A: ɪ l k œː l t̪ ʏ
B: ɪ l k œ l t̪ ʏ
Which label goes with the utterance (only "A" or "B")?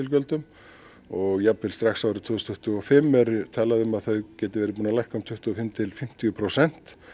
B